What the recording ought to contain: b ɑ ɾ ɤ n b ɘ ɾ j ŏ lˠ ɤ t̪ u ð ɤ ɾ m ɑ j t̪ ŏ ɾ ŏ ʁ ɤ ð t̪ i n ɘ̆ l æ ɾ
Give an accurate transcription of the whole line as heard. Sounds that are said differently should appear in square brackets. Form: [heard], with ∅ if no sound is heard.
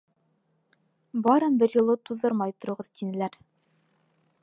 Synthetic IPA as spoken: b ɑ ɾ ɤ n b ɘ ɾ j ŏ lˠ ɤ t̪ u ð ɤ ɾ m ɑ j t̪ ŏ ɾ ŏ ʁ ɤ ð t̪ i n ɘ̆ l æ ɾ